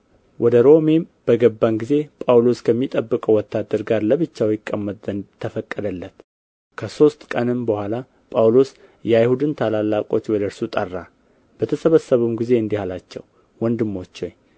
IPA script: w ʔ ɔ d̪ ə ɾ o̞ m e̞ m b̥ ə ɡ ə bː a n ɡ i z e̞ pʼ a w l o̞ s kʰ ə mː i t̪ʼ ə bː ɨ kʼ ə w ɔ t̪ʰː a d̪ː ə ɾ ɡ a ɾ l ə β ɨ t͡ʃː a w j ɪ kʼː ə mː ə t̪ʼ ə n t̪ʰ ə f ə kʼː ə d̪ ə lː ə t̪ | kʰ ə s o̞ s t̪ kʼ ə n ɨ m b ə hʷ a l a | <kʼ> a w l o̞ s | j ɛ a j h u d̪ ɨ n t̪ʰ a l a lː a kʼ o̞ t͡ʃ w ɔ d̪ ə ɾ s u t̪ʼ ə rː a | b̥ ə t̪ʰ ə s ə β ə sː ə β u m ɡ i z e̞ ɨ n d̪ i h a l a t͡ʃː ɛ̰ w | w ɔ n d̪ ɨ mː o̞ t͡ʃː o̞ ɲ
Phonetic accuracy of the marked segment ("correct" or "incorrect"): incorrect